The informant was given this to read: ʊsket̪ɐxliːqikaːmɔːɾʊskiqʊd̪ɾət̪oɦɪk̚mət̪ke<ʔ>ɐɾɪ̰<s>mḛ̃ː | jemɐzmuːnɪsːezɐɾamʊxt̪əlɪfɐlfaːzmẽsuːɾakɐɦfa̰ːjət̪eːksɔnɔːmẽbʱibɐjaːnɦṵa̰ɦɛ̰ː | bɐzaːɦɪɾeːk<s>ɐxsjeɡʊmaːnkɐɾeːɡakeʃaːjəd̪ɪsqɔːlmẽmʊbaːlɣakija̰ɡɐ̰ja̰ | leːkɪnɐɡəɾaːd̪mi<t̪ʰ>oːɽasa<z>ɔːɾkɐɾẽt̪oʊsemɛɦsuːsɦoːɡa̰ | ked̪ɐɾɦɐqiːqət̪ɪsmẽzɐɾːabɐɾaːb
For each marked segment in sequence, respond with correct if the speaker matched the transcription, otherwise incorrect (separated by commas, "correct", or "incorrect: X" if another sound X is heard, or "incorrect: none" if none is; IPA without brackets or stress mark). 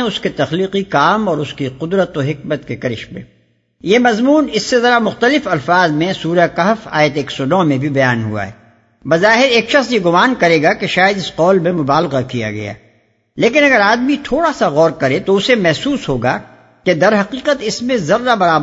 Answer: incorrect: k, incorrect: ʃ, incorrect: ʃ, correct, incorrect: ɣ